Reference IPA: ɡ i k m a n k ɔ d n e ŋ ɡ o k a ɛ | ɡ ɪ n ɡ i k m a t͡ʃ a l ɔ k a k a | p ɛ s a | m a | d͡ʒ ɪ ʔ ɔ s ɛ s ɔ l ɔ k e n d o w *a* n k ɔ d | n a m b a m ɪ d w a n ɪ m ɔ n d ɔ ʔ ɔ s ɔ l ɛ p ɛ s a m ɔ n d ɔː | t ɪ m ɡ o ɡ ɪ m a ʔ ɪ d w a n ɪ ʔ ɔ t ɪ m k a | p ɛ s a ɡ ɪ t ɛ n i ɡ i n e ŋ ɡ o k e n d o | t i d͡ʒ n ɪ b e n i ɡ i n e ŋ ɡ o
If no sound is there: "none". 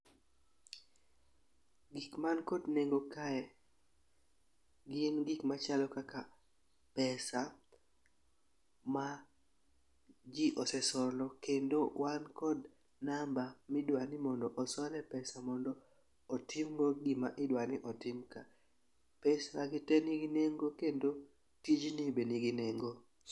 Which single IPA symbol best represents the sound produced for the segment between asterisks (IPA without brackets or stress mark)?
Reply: a